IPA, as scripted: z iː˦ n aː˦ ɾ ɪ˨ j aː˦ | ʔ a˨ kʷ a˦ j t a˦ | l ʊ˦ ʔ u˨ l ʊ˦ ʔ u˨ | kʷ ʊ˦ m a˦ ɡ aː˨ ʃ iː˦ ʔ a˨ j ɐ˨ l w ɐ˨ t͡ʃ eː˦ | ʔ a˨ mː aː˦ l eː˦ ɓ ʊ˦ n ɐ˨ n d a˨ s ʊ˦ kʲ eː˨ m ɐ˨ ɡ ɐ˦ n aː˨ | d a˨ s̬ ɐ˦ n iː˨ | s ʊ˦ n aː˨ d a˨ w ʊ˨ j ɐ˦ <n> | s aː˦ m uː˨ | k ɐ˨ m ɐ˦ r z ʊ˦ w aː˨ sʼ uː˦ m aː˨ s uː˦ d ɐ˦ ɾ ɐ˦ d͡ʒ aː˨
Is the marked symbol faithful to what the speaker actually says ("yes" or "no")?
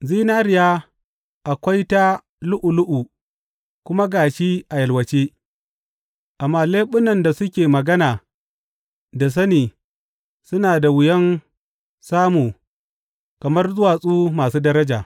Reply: yes